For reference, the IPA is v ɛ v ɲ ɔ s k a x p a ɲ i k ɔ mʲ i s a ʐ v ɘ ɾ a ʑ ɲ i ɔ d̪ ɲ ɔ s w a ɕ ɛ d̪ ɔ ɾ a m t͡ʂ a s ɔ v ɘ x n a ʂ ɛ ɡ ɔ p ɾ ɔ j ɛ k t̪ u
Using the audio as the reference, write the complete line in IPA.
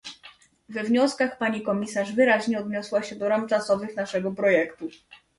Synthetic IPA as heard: v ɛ v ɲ ɔ s k a x p a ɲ i k ɔ mʲ i s a ʐ v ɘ ɾ a ʑ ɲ ɛ ɔ d̪ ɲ ɔ s w a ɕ ɛ d̪ ɔ ɾ a m t͡ʂ a s ɔ v ɘ x n a ʂ ɛ ɡ ɔ p ɾ ɔ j ɛ k t̪ u